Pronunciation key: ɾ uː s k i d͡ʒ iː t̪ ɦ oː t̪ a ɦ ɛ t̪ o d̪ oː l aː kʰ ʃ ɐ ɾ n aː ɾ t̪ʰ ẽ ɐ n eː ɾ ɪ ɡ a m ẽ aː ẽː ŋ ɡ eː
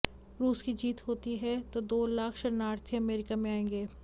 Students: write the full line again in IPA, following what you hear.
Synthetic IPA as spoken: ɾ uː s k i d͡ʒ iː t̪ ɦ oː t̪ i ɦ ɛ t̪ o d̪ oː l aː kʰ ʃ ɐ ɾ n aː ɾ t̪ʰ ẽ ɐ m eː ɾ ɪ k a m ẽ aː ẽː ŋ ɡ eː